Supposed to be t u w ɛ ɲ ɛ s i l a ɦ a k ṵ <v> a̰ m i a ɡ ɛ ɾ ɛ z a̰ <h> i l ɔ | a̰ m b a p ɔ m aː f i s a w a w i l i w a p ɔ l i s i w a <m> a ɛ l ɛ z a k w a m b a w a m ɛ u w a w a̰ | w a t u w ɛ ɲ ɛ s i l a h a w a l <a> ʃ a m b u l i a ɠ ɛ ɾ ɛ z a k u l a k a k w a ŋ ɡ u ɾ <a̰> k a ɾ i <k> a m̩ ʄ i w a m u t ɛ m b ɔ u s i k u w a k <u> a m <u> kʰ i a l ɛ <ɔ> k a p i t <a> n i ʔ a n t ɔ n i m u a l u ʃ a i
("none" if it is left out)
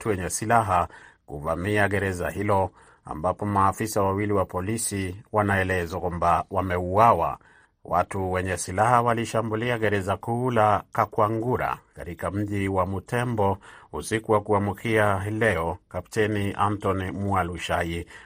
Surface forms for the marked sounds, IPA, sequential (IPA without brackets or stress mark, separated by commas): v, h, n, i, a̰, k, u, u, ɔ, ɛ